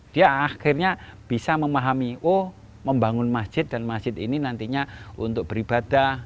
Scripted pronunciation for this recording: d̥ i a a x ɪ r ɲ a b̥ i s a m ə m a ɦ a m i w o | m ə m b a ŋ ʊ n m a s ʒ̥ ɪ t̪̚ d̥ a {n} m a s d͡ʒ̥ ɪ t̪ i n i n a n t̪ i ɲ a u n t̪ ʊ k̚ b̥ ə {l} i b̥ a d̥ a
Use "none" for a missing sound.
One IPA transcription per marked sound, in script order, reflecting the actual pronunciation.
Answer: n, ɾ

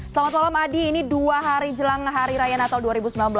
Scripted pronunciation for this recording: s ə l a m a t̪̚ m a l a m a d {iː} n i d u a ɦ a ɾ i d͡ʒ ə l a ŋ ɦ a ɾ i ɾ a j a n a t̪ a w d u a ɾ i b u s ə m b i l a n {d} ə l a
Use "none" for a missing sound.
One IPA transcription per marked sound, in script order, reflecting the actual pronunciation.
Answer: iː, b

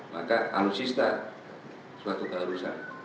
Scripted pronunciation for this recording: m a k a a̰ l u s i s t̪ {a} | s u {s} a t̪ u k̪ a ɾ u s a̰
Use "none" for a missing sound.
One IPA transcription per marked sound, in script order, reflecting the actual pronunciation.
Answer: a, none

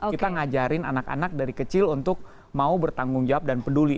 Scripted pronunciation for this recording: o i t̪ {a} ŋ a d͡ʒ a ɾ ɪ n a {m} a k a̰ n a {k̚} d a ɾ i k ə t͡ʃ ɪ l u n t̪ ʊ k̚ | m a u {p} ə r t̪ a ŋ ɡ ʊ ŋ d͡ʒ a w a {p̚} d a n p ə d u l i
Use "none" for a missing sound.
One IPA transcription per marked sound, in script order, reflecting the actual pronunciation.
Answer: a, n, k̚, b, p̚

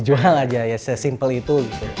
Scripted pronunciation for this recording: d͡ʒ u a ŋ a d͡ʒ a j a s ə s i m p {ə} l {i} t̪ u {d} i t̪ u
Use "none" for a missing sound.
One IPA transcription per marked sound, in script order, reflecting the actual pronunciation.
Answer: ə, i, ɡ

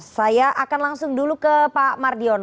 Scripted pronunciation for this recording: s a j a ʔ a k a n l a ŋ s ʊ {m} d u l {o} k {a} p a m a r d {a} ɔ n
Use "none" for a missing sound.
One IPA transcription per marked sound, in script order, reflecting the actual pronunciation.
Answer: ŋ, u, ə, i

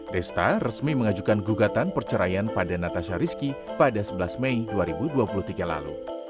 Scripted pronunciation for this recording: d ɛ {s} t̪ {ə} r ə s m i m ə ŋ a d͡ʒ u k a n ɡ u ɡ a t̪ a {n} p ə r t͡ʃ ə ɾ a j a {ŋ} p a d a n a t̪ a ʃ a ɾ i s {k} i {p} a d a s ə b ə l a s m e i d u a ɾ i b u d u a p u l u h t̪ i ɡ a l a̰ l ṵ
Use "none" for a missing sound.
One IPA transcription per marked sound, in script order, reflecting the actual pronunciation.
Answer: s, a, n, n, k, p

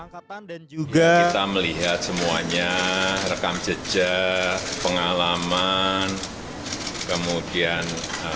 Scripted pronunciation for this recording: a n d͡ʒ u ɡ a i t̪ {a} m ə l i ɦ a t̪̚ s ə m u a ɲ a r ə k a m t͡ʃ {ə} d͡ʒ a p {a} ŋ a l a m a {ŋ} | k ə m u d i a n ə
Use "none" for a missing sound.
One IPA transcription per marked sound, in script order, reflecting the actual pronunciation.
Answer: a, ə, ə, n

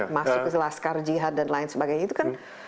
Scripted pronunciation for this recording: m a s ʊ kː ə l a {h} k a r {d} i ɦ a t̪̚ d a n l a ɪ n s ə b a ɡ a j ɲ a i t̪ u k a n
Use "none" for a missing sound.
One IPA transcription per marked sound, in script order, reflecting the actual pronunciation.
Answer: s, d͡ʒ

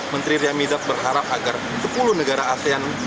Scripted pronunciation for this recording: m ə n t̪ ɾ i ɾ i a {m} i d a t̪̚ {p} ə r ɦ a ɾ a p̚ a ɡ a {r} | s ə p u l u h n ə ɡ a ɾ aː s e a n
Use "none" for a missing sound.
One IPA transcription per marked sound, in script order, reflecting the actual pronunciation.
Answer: m, b, r

